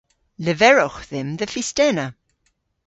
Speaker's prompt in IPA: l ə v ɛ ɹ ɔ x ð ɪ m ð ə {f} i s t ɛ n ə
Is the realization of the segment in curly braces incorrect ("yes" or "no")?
no